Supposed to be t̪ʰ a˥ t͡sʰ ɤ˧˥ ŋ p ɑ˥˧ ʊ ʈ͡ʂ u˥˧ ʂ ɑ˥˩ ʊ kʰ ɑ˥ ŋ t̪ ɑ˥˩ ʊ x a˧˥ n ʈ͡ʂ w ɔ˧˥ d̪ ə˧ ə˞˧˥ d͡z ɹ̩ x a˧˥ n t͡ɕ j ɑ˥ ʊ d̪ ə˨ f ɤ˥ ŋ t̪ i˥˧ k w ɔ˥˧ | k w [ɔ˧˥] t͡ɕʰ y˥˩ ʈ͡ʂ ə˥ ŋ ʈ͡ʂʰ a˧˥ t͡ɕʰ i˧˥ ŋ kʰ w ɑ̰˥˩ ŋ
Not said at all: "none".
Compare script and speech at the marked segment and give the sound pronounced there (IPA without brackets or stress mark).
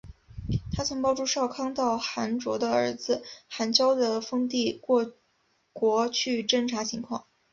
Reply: ɔ˧˥